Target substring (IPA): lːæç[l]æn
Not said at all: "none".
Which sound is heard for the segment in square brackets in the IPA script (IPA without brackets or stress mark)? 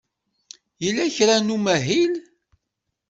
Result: ɾ